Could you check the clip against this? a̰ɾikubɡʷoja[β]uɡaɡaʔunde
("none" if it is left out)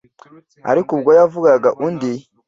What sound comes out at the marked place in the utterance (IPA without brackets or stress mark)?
v